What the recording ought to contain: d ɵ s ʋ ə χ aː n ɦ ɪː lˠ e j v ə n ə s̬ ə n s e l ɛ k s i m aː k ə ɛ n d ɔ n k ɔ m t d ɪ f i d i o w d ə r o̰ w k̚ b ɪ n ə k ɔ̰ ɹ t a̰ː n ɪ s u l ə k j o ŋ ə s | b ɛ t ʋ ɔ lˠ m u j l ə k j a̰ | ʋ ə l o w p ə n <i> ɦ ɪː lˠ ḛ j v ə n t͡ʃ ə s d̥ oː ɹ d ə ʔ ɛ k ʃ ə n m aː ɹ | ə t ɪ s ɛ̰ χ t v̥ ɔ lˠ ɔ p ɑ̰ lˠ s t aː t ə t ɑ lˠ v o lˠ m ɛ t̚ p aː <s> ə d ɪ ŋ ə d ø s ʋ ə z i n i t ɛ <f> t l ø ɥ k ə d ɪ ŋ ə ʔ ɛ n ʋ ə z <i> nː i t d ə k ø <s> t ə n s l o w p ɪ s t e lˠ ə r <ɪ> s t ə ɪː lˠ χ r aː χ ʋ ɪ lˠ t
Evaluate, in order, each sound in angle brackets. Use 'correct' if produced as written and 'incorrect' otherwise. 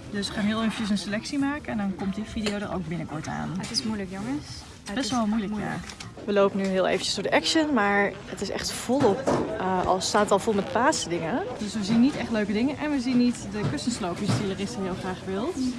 incorrect, correct, incorrect, correct, correct, correct

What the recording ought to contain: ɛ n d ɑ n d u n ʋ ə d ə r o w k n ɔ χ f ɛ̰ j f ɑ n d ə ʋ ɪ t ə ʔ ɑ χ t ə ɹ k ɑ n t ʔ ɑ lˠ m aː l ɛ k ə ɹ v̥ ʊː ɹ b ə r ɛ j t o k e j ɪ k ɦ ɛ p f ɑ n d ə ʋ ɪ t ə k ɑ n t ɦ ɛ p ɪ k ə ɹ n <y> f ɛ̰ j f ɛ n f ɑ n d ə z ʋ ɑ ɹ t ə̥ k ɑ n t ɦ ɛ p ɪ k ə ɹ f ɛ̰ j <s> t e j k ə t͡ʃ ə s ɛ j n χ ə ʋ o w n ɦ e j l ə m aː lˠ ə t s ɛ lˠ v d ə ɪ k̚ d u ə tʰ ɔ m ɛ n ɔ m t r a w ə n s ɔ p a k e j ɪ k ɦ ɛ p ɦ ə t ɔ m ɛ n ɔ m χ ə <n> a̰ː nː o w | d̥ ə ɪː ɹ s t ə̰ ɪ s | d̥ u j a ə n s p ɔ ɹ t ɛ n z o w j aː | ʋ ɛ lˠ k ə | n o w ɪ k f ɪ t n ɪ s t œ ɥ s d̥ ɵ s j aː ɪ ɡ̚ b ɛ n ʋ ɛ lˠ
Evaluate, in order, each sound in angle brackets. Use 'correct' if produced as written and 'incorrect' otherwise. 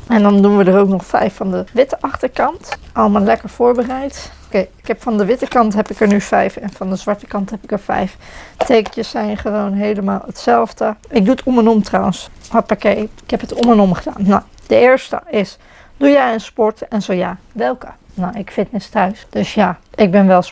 correct, incorrect, incorrect

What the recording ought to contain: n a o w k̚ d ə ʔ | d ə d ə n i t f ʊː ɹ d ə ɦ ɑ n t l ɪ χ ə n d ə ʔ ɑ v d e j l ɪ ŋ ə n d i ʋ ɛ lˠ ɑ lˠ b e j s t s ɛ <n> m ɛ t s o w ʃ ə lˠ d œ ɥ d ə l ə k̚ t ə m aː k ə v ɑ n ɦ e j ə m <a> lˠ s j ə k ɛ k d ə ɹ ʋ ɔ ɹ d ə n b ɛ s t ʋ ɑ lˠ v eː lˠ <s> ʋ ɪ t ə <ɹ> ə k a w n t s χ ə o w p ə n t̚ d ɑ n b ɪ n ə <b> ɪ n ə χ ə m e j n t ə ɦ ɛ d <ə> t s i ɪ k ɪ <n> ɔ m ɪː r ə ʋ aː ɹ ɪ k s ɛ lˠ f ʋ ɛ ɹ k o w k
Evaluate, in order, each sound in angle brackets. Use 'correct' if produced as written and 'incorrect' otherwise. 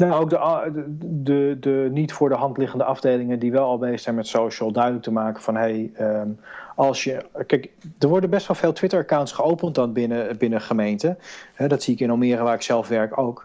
correct, incorrect, incorrect, correct, correct, incorrect, correct

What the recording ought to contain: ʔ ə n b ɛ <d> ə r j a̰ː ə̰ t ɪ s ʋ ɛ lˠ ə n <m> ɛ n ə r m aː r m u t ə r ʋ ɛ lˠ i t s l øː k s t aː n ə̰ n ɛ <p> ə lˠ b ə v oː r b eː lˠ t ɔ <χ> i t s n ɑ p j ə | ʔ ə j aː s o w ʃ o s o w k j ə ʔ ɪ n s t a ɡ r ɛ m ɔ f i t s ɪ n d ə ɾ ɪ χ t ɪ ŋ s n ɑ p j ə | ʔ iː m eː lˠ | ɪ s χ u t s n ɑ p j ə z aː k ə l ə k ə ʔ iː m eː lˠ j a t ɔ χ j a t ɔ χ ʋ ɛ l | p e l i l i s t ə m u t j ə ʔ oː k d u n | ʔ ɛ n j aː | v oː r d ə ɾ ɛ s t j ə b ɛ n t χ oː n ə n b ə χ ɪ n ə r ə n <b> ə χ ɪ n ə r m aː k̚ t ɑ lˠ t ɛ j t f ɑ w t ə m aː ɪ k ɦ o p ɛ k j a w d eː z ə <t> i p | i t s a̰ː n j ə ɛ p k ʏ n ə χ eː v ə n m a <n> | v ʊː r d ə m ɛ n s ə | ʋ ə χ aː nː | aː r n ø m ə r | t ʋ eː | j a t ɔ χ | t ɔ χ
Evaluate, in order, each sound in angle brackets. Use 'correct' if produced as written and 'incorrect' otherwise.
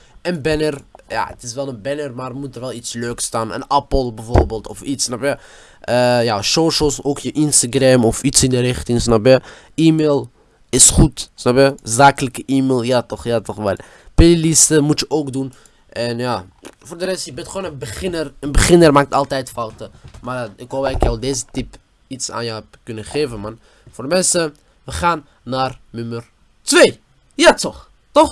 incorrect, incorrect, correct, incorrect, correct, correct, correct

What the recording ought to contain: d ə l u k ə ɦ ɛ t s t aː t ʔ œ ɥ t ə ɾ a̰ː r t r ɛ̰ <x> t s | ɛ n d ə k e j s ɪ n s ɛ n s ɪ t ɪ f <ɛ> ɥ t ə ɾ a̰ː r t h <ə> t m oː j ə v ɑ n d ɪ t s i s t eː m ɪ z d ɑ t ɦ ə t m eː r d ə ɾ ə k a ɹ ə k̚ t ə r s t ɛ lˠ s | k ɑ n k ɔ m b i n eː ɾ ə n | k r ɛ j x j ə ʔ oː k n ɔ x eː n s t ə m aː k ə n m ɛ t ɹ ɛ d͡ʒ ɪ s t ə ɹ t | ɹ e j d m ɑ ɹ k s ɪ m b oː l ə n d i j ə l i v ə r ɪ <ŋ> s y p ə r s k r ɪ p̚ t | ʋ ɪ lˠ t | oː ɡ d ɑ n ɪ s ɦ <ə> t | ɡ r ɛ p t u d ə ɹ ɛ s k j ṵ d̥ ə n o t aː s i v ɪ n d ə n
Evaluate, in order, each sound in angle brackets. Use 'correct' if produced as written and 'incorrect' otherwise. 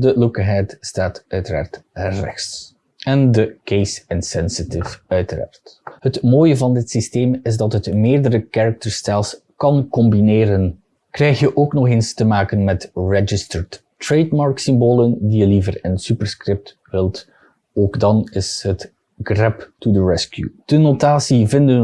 correct, incorrect, correct, incorrect, correct

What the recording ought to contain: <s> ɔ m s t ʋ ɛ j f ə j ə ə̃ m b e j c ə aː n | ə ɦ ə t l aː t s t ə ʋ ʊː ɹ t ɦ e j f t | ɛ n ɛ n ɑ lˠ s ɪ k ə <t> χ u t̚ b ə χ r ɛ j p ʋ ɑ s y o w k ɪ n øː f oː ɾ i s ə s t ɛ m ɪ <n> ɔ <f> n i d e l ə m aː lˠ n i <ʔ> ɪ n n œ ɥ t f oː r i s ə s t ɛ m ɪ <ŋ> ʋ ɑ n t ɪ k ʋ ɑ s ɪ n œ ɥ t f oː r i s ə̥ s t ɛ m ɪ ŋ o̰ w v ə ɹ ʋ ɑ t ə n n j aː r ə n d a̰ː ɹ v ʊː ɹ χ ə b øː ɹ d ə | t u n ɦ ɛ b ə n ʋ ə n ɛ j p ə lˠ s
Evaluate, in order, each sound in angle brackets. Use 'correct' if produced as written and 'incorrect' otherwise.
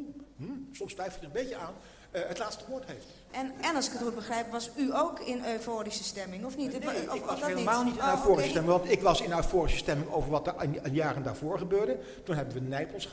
correct, correct, incorrect, correct, incorrect, correct

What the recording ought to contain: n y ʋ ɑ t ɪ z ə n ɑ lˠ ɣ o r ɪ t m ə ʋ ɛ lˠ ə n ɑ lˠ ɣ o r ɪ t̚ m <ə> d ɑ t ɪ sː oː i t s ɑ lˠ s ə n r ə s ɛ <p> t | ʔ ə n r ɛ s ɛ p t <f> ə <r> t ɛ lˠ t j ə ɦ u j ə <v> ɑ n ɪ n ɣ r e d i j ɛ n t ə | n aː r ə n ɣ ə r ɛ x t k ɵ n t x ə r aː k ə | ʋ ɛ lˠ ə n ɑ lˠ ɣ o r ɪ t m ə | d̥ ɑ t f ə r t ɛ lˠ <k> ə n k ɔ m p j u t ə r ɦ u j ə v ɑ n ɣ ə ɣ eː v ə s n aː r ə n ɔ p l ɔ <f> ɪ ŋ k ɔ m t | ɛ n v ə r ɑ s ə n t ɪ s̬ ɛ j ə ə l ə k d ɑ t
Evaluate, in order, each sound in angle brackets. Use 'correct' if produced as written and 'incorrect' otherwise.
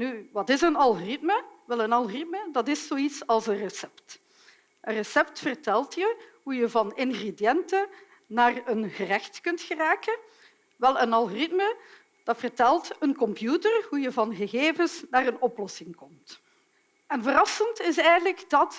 correct, correct, correct, correct, correct, incorrect, incorrect

